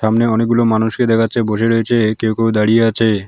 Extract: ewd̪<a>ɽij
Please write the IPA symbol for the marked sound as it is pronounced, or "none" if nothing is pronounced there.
a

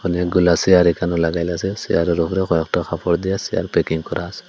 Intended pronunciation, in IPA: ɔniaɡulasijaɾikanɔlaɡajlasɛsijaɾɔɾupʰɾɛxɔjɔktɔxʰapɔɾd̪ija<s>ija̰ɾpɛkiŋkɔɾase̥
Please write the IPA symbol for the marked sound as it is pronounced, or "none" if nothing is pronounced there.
s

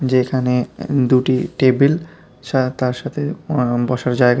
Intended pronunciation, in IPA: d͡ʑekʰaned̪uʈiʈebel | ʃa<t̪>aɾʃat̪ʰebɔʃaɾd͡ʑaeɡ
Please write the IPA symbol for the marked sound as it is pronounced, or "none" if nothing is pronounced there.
t̪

